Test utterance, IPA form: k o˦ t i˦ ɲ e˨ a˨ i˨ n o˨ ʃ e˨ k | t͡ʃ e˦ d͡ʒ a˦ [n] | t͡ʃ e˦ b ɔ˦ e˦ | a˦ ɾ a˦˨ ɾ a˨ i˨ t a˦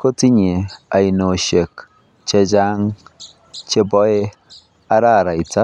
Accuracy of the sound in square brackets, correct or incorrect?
incorrect